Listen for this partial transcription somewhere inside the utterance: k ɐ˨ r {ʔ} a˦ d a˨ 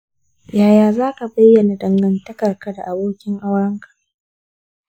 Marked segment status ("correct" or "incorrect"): incorrect